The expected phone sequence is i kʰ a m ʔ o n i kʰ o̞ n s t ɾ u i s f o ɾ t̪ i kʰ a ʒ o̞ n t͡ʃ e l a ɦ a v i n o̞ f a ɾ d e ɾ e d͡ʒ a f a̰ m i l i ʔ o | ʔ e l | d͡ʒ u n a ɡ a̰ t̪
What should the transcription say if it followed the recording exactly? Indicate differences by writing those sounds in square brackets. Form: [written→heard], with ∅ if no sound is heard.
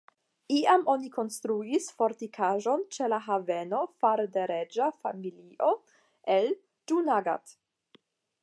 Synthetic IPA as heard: i [kʰ→∅] a m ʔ o n i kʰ o̞ n s t ɾ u i s f o ɾ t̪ i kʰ a ʒ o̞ n t͡ʃ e l a ɦ a v [i→e] n o̞ f a ɾ d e ɾ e d͡ʒ a f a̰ m i l i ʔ o | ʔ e l | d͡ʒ u n a ɡ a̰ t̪